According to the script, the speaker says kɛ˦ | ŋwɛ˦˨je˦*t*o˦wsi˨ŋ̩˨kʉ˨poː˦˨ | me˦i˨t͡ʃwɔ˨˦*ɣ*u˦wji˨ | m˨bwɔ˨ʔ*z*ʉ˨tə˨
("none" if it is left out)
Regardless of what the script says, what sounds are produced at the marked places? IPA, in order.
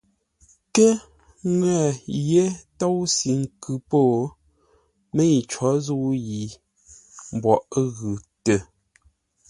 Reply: t, z, ɣ

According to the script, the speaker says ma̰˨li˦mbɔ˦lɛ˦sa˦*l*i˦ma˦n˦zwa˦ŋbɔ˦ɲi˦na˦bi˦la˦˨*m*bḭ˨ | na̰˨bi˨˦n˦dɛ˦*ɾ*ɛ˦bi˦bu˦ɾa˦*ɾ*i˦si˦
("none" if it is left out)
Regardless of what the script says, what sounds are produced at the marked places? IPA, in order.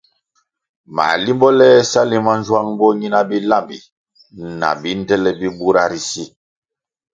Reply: l, m, l, ɾ

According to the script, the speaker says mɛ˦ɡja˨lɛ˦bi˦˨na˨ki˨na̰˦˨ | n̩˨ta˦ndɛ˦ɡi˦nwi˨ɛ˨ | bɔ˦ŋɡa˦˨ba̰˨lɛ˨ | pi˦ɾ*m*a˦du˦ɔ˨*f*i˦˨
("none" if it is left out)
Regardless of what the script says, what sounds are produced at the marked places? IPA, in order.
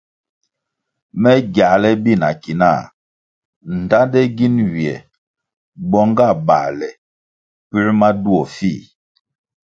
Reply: m, f

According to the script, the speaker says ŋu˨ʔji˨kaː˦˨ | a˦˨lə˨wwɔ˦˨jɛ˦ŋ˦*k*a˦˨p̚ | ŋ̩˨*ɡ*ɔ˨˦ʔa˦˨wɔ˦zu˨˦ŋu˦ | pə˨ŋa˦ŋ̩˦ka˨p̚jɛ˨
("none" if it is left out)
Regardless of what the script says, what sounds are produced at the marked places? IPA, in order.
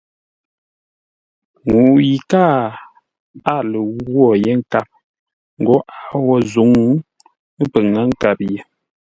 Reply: k, ɡ

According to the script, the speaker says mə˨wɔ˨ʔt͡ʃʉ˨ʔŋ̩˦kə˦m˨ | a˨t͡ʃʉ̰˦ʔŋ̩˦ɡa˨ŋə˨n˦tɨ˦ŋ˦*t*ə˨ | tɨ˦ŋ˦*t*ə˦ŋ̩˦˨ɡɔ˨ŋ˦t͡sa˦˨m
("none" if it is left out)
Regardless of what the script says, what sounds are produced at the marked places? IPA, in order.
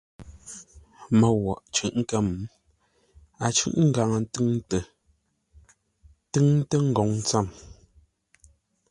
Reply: t, t

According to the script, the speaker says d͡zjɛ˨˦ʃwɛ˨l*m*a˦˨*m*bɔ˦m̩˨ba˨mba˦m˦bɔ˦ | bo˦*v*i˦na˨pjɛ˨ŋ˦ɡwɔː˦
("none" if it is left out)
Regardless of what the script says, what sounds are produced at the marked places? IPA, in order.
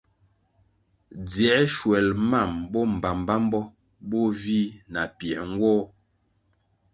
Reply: m, m, v

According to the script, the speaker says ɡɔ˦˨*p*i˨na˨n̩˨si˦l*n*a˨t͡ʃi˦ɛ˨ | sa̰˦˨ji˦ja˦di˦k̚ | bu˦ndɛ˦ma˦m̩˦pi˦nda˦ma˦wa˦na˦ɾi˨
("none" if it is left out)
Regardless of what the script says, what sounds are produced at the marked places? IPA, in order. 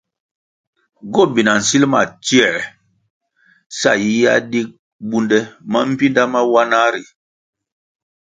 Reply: b, m

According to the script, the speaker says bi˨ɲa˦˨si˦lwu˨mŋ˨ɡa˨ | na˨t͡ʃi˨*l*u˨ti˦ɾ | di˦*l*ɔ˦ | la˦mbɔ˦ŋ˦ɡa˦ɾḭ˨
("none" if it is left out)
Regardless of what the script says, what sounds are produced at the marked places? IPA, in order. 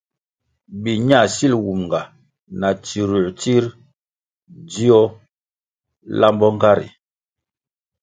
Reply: ɾ, none

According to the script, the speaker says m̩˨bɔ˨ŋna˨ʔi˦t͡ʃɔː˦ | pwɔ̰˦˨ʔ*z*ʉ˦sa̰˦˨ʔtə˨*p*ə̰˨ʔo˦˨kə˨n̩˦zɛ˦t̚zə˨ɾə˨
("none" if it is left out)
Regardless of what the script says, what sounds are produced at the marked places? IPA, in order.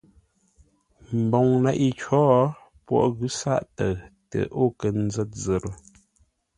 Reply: ɣ, t

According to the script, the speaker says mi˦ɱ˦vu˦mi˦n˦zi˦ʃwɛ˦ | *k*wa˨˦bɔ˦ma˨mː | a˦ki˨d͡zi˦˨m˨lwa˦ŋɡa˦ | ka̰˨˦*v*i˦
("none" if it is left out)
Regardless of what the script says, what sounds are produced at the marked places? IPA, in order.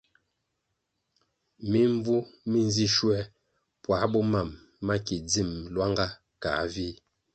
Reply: p, v

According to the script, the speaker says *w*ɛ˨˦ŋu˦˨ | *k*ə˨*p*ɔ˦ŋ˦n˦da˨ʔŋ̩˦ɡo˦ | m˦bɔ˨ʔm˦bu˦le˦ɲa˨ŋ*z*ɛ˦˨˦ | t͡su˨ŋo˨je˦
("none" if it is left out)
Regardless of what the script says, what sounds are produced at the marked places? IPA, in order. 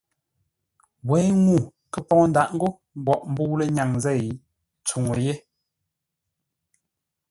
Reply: w, k, p, z

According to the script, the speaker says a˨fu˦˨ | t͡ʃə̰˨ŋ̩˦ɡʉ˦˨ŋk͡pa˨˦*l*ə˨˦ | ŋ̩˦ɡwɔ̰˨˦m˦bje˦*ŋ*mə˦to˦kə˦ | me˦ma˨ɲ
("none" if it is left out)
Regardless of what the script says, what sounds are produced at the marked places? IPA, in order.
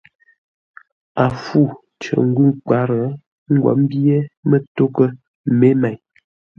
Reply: ɾ, none

